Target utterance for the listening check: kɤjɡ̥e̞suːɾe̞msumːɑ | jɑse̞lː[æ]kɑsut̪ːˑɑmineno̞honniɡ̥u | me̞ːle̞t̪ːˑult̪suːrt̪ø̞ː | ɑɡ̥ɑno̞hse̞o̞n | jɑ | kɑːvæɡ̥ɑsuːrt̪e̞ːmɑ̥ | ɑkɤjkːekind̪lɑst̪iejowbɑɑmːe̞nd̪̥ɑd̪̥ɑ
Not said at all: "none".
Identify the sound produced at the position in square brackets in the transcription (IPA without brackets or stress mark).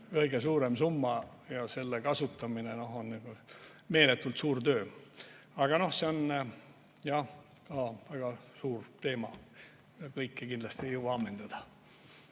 e